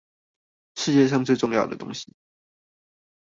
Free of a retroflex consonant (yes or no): no